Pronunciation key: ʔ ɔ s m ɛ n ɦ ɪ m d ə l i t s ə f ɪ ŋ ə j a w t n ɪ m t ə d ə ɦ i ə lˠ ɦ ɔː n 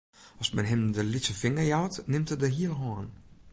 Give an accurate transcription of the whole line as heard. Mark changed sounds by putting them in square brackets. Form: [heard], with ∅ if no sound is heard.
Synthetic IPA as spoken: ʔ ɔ s m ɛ n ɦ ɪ m d ə l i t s ə f ɪ ŋ ə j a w t n ɪ m t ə d ə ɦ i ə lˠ ɦ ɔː n